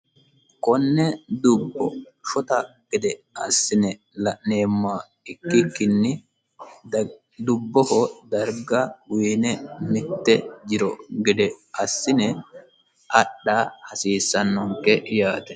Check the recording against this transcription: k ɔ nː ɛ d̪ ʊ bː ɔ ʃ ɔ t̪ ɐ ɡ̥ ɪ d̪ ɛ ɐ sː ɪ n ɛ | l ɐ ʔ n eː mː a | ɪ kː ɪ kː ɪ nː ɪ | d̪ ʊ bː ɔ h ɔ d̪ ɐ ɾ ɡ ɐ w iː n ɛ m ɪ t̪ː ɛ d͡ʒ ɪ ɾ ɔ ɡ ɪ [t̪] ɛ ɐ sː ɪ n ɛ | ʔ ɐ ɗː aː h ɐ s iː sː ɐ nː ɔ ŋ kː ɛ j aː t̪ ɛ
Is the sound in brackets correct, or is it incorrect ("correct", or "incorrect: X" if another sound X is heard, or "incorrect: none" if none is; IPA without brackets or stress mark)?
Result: incorrect: d̪